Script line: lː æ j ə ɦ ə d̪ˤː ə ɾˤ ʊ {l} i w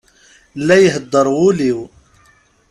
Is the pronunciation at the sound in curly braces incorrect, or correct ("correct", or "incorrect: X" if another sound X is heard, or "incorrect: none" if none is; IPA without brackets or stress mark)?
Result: correct